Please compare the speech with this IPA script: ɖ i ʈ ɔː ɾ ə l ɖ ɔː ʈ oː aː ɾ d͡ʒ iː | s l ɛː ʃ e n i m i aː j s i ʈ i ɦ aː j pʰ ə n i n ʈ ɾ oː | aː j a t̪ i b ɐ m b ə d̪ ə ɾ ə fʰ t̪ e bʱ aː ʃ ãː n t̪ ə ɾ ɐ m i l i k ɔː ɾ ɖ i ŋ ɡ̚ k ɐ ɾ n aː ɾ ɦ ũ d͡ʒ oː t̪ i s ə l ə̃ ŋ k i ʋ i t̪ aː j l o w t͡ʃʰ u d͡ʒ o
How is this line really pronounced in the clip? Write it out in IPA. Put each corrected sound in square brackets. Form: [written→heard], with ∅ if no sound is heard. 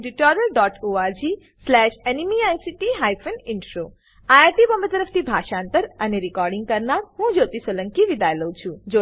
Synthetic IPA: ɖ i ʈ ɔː ɾ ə l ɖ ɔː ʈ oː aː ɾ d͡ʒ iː | s l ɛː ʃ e n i m i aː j s i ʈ i ɦ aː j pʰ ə n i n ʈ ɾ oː | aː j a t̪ i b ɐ m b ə [d̪→t̪] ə ɾ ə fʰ t̪ [e→i] bʱ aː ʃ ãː n t̪ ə ɾ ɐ [m→n] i [l→ɾ] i k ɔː ɾ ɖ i ŋ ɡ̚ k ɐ ɾ n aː ɾ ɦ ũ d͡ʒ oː t̪ i s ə l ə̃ ŋ k i ʋ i [t̪→d̪] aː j l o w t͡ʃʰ u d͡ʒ o